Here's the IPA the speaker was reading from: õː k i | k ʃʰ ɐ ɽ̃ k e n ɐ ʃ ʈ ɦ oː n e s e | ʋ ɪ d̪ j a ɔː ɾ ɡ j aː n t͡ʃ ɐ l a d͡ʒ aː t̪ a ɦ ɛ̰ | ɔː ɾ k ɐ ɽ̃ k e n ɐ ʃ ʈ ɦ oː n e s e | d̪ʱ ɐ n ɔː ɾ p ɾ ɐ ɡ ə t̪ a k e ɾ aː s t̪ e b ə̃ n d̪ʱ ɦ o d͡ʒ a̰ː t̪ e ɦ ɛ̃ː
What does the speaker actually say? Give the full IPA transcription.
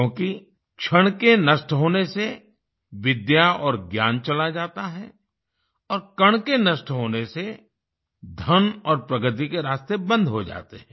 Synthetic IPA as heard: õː k i | k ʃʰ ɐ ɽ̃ k e n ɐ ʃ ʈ ɦ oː n e s e | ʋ ɪ d̪ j a ɔː ɾ ɡ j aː n t͡ʃ ɐ l a d͡ʒ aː t̪ a ɦ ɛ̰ | ɔː ɾ k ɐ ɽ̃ k e n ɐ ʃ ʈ ɦ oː n e s e | d̪ʱ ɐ n ɔː ɾ p ɾ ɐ ɡ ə t̪ i k e ɾ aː s t̪ e b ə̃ n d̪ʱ ɦ o d͡ʒ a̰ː t̪ e ɦ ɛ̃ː